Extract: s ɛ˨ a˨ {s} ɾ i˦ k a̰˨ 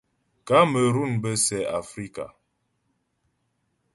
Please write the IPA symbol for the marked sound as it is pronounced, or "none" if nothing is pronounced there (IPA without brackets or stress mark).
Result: f